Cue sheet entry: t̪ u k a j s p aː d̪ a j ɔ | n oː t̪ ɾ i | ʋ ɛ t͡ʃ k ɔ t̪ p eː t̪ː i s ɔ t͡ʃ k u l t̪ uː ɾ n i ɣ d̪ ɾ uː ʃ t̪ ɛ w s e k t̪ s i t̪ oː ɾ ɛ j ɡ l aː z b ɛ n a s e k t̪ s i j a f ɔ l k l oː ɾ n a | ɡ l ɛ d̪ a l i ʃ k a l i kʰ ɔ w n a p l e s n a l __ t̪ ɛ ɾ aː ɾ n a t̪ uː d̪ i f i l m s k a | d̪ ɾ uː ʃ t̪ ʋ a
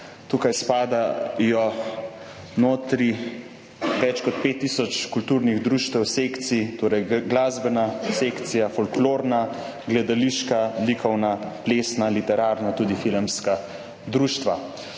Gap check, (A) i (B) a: A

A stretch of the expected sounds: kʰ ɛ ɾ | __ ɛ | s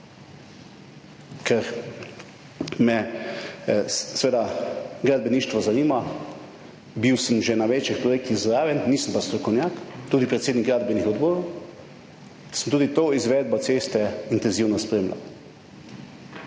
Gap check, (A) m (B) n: A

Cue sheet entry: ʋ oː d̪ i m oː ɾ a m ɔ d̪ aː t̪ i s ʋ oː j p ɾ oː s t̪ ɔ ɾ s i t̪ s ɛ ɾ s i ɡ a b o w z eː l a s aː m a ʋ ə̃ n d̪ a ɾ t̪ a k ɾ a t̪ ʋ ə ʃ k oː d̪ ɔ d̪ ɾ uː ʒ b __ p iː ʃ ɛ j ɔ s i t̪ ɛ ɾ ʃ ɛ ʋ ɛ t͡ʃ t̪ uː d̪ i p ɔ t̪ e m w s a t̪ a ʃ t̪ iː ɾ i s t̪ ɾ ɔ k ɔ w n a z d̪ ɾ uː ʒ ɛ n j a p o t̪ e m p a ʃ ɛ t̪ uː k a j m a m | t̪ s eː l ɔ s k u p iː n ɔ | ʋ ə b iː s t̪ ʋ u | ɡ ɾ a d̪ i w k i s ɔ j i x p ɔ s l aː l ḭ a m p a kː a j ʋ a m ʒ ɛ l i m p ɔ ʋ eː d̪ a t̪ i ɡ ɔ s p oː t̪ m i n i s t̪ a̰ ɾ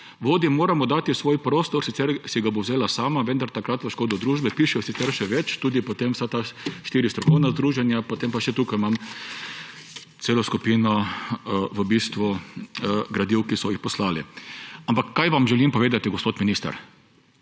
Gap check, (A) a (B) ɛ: B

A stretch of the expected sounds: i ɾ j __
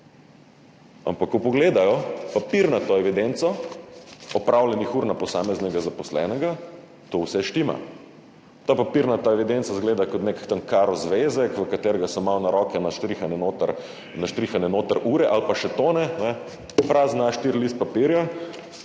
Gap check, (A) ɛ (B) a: B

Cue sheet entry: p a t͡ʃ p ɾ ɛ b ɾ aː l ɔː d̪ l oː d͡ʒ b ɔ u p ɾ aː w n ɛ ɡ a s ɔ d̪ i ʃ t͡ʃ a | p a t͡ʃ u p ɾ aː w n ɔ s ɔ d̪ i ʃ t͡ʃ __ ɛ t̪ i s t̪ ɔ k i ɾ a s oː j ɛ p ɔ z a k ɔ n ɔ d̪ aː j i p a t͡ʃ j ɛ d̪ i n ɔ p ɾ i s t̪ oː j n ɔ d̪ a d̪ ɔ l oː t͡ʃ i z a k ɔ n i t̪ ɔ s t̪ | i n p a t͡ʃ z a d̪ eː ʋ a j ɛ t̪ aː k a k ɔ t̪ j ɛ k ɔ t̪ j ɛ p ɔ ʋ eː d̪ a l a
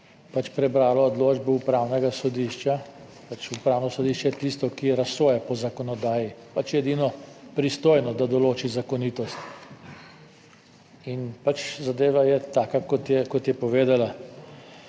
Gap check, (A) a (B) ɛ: B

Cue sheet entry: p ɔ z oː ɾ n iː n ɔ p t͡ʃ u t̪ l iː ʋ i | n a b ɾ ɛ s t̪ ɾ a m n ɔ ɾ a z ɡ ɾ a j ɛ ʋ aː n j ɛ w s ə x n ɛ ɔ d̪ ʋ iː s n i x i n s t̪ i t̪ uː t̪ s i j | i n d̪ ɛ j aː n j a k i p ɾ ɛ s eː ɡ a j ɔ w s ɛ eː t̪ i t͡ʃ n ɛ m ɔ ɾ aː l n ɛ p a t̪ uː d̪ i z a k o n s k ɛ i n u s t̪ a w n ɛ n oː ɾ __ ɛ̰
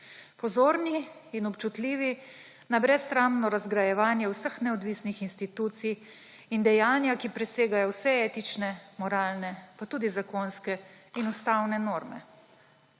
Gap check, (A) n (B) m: B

